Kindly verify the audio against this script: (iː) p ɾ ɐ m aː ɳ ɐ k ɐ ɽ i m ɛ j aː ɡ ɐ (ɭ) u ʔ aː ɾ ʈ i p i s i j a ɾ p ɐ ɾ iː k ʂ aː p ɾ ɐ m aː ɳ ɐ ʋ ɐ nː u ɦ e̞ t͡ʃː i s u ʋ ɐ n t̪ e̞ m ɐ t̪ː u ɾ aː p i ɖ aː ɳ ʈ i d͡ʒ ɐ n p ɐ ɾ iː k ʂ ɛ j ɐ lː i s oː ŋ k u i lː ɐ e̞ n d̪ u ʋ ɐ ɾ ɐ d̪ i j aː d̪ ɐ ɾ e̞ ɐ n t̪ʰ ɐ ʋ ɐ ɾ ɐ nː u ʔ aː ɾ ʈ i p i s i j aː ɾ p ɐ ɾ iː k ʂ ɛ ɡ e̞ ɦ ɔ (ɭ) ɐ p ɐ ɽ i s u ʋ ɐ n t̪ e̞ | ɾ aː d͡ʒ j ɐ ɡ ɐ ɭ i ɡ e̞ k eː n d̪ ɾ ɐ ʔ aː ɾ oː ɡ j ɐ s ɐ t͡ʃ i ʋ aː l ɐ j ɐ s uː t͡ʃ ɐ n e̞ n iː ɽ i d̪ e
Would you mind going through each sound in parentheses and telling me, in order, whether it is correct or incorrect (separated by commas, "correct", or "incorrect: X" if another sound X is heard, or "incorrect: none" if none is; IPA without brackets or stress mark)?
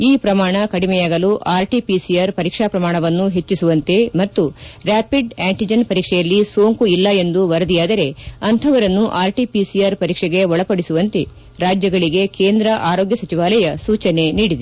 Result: correct, incorrect: l, correct